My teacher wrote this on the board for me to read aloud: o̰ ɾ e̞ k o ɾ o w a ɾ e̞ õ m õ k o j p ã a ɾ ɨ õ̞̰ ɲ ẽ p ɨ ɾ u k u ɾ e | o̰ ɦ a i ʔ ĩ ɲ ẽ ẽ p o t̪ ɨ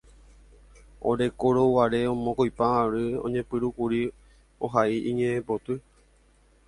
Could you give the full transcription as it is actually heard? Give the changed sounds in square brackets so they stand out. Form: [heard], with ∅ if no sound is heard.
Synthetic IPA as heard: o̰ ɾ e̞ k o ɾ o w a ɾ e̞ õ m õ k o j p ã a ɾ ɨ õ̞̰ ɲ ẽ p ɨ ɾ u k u ɾ [i] | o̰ ɦ a i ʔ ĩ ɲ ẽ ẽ p o t̪ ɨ